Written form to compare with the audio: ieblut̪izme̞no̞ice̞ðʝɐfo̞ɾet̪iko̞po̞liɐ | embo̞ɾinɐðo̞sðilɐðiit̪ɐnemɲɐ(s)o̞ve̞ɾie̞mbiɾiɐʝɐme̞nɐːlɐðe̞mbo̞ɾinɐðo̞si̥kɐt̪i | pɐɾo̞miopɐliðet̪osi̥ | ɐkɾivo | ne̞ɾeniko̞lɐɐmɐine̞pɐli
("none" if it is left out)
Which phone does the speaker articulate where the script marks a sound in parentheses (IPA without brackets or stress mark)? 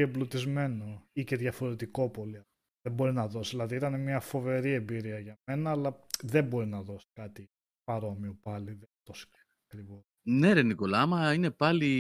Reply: f